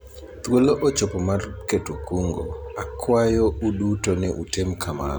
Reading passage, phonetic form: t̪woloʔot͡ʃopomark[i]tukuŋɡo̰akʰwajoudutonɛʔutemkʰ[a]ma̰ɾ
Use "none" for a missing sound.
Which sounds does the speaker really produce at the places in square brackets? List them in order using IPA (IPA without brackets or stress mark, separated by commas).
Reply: e, a